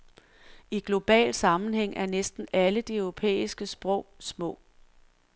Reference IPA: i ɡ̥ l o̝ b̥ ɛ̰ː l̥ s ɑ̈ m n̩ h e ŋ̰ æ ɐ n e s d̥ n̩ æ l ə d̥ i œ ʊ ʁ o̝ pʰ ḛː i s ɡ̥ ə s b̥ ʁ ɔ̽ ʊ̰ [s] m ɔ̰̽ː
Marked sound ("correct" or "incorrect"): correct